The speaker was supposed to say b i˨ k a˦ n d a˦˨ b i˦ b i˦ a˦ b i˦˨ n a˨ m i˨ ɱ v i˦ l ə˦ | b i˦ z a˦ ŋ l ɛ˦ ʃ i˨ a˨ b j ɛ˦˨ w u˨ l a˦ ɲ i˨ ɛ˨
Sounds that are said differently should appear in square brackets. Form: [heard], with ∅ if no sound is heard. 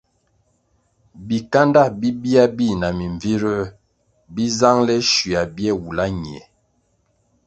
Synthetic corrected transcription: b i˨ k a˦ n d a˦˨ b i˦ b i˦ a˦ b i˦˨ n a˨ m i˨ ɱ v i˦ [ɾ] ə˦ | b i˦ z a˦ ŋ l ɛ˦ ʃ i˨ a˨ b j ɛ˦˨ w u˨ l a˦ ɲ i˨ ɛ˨

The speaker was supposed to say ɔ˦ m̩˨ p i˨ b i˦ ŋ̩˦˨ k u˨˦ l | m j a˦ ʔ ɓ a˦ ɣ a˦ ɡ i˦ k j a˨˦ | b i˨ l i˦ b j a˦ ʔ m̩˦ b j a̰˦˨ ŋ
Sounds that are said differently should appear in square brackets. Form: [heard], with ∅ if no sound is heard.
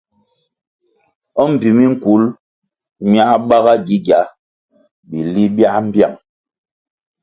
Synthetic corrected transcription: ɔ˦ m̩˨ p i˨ [m] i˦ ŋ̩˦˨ k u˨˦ l | m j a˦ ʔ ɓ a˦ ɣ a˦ ɡ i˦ [ɡ] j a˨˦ | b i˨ l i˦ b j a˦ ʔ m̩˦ b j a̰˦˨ ŋ

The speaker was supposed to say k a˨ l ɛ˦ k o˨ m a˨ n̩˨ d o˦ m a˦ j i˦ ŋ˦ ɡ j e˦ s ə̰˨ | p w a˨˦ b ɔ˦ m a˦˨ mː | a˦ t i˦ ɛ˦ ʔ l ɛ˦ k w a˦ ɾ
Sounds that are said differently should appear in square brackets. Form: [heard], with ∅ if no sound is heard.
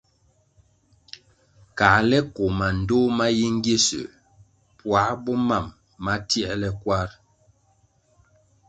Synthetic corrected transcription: k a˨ l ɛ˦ k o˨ m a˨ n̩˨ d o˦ m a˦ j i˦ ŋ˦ ɡ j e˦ s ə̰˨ | p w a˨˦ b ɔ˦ m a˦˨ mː | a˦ t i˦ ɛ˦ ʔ l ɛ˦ k w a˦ ɾ

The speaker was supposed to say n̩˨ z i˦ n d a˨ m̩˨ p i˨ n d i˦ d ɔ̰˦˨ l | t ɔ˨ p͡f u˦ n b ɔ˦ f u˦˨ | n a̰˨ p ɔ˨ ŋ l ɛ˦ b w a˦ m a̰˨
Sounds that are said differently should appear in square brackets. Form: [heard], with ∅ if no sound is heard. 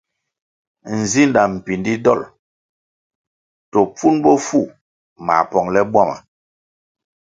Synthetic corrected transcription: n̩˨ z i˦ n d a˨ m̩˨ p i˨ n d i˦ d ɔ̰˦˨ l | t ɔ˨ p͡f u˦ n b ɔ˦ f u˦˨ | [m] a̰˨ p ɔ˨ ŋ l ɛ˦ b w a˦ m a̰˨

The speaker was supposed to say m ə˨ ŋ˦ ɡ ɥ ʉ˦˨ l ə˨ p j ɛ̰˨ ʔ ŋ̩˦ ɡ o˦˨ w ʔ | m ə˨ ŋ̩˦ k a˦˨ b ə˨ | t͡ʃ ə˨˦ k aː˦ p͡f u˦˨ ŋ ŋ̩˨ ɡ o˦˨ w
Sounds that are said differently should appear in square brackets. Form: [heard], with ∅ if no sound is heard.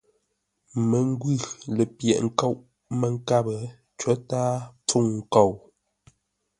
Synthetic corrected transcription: m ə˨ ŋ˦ ɡ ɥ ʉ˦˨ l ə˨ p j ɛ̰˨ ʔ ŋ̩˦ [k] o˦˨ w ʔ | m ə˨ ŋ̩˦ k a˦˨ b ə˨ | t͡ʃ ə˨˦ [t] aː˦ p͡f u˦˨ ŋ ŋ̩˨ [k] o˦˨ w

